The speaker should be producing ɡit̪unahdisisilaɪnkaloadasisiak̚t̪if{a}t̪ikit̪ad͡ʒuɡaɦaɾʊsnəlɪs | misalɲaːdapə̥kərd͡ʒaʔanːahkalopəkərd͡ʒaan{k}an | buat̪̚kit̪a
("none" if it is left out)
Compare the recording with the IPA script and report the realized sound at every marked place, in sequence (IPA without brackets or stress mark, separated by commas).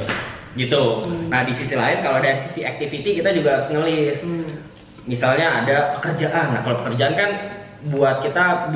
i, k